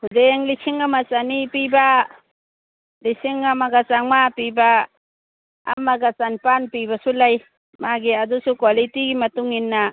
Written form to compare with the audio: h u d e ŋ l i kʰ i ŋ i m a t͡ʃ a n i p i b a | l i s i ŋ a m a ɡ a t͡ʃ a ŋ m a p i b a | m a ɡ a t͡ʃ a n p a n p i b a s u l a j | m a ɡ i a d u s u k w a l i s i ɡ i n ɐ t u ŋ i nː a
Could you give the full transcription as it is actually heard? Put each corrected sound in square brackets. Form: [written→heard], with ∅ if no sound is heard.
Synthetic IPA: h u d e ŋ l i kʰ i ŋ [i→a] m a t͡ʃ a n i p i b a | l i s i ŋ a m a ɡ a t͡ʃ a ŋ m a p i b a | m a ɡ a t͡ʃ a n p a n p i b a s u l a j | m a ɡ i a d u s u k w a l i [s→t] i ɡ i [n→m] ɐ t u ŋ i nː a